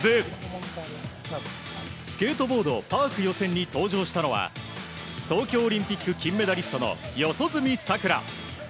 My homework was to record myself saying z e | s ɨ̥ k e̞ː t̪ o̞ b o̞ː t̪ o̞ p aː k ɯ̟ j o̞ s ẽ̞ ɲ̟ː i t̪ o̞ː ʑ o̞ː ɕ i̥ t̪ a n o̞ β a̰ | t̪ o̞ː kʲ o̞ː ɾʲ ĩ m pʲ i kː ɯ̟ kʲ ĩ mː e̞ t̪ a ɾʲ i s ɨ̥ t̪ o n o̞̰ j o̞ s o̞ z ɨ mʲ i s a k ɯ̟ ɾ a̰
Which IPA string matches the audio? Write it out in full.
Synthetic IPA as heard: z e | s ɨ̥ k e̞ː t̪ o̞ b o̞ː d̪ o̞ p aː k ɯ̟ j o̞ s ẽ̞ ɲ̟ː i t̪ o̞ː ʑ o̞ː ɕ i̥ t̪ a n o̞ β a̰ | t̪ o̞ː kʲ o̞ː ɾʲ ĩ m pʲ i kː ɯ̟ kʲ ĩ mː e̞ d̪ a ɾʲ i s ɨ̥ t̪ o n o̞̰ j o̞ s o̞ z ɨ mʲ i s a k ɯ̟ ɾ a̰